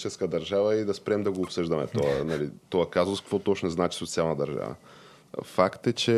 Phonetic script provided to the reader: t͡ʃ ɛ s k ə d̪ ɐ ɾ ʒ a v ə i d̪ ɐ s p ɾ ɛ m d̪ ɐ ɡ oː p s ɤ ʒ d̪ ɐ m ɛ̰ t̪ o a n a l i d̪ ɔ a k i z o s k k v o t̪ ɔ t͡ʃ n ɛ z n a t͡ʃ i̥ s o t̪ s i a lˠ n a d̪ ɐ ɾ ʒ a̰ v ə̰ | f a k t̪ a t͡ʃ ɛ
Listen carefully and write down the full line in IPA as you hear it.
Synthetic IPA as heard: t͡ʃ ɛ s k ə d̪ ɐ ɾ ʒ a v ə i d̪ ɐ s p ɾ ɛ m d̪ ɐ ɡ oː p s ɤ ʒ d̪ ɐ m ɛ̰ t̪ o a n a l i t̪ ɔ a k a z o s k k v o t̪ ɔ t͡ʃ n ɛ z n a t͡ʃ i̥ s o t̪ s i a lˠ n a d̪ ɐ ɾ ʒ a̰ v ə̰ | f a k t̪ ɛ t͡ʃ ɛ